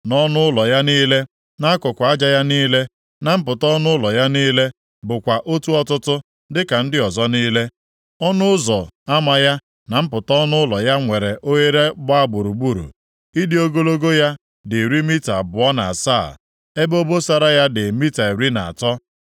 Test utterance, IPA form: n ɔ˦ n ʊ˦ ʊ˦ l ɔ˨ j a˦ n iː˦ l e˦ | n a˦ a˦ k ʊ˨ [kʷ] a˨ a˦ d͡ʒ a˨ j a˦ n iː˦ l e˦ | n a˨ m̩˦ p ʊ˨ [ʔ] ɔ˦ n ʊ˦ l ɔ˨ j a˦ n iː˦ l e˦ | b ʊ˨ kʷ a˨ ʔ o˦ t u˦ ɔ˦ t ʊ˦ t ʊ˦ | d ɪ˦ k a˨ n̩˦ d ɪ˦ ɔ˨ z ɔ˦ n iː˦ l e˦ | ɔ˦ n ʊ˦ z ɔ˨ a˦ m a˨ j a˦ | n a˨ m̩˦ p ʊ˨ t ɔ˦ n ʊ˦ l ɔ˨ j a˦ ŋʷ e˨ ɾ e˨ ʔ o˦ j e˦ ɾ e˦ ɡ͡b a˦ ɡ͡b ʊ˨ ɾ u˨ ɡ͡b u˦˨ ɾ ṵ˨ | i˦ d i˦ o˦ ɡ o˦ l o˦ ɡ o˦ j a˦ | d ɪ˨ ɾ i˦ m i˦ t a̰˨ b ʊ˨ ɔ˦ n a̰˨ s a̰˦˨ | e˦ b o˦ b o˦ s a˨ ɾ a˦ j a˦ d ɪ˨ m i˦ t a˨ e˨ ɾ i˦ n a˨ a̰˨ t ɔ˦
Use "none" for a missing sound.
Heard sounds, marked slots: kʷ, t

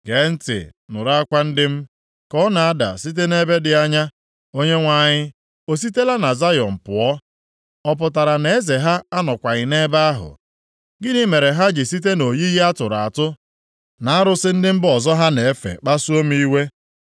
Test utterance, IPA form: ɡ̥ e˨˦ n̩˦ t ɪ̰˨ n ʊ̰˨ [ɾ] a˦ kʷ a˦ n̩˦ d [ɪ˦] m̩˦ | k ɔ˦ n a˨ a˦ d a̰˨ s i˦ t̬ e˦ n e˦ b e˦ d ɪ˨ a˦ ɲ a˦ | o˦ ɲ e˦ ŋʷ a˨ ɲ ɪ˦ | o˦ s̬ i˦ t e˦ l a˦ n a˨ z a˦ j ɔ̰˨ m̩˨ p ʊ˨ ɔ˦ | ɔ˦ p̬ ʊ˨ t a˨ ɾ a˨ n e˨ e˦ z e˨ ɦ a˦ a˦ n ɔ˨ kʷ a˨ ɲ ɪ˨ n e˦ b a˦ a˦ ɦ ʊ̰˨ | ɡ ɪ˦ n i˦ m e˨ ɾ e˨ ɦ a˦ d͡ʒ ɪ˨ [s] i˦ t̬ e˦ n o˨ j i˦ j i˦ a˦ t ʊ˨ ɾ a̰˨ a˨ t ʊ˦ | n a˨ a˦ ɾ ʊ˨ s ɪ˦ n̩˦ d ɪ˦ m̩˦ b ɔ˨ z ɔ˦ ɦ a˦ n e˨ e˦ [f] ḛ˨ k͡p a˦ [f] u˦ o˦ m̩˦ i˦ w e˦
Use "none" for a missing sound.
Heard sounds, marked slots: ɾ, ɪ˦, s, f, s

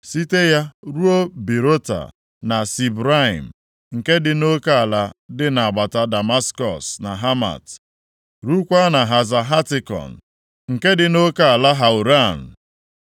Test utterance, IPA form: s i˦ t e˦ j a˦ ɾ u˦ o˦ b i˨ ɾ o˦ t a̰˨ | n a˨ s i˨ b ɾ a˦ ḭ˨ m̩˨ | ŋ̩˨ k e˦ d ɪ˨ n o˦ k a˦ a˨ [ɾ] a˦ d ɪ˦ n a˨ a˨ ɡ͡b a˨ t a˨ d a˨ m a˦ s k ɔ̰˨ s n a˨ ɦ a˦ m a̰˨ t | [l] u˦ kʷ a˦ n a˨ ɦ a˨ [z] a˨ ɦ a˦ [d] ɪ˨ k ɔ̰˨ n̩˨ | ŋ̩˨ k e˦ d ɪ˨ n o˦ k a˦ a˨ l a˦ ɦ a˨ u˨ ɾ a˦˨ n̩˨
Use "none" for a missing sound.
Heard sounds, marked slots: l, ɾ, z, t

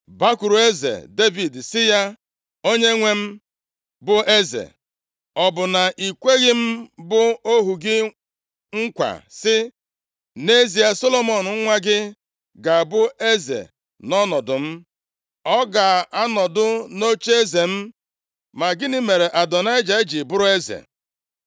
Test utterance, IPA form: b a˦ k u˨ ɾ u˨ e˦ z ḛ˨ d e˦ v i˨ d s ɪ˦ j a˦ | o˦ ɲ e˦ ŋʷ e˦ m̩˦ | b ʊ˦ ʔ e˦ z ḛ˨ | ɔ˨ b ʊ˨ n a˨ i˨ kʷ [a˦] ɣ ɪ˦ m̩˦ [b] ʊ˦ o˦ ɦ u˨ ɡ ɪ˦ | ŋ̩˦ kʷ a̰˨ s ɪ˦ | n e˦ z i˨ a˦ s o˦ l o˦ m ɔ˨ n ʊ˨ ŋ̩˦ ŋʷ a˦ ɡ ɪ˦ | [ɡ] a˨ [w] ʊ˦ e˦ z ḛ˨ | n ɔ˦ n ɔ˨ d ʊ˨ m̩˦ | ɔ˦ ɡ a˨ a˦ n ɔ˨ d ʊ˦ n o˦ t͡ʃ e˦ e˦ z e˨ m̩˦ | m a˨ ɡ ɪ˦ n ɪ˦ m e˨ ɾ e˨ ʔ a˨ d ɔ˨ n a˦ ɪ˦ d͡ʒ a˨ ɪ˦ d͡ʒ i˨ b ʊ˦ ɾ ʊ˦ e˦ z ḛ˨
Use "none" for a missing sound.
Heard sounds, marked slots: e˦, b, ɡ, b

